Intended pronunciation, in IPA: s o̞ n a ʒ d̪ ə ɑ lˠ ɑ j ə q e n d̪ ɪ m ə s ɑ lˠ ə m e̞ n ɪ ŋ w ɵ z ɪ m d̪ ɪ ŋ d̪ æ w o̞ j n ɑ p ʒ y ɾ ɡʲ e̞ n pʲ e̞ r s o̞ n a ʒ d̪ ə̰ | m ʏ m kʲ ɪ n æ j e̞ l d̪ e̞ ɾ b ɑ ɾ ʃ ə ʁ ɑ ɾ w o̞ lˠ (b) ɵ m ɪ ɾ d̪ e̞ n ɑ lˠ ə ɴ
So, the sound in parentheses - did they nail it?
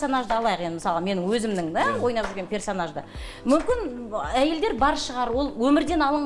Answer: no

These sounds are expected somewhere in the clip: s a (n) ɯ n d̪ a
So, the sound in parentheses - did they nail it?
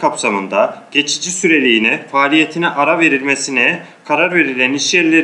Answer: no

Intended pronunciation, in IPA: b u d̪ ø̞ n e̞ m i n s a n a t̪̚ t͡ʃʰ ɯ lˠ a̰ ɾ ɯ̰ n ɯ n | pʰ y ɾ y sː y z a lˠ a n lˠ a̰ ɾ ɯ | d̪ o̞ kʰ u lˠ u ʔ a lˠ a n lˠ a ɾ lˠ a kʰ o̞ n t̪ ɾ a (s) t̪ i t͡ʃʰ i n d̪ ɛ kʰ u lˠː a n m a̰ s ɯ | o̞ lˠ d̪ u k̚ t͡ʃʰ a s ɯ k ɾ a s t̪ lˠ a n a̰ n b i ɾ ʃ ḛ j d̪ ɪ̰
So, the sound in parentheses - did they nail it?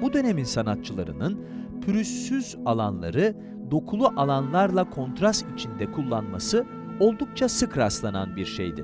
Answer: yes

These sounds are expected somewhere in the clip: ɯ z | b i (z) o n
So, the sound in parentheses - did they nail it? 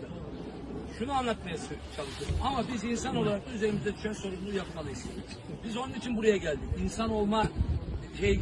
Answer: yes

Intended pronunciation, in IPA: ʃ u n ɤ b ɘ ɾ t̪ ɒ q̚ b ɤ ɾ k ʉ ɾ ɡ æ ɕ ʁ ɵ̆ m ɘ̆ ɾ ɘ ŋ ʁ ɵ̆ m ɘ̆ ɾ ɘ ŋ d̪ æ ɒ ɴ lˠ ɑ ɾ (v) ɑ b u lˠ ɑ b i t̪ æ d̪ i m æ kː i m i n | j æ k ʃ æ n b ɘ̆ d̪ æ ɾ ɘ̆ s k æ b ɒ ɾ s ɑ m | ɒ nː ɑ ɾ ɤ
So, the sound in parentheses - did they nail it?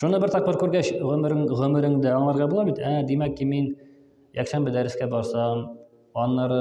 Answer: no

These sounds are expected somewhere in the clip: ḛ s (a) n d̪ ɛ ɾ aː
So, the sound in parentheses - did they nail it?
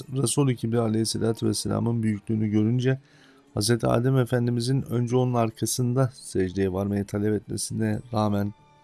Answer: no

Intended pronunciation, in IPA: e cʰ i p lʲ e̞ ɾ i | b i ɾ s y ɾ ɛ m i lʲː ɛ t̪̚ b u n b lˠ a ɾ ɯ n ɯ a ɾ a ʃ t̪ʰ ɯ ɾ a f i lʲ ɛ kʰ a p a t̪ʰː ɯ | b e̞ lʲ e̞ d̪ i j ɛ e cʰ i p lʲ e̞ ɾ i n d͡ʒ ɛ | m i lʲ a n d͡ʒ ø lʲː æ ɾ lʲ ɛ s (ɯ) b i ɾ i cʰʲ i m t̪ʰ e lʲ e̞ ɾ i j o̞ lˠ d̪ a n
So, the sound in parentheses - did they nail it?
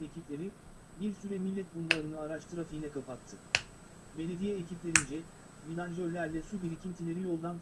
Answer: no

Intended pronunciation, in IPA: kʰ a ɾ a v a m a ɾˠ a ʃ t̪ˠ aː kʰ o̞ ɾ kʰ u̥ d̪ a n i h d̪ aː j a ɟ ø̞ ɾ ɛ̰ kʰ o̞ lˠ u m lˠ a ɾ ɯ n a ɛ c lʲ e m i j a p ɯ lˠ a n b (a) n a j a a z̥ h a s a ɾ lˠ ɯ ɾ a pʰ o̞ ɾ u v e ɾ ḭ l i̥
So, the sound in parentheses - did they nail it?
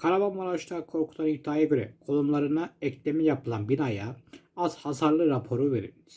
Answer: no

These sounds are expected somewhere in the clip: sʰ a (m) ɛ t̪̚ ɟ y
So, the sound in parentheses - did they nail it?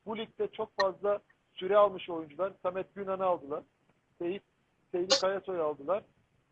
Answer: yes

